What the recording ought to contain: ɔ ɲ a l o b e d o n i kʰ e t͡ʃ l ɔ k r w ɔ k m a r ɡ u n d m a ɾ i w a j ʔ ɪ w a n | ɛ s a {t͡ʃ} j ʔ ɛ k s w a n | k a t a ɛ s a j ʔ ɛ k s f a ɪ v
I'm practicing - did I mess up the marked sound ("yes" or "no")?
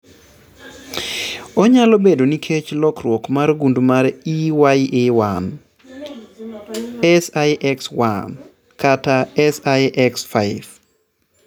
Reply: yes